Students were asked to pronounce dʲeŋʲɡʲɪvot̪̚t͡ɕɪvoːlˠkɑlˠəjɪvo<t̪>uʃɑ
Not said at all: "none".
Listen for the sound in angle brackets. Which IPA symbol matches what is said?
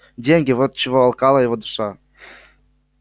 d̪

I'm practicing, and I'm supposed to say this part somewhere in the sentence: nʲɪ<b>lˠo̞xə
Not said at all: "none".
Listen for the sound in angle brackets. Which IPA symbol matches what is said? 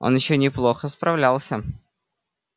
p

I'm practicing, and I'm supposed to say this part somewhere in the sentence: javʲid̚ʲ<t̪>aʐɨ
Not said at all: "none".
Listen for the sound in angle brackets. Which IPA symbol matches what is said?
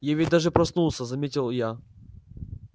d̪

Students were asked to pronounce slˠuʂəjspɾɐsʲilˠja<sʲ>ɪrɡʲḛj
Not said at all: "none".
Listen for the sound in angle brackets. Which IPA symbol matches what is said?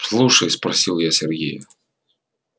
sʲ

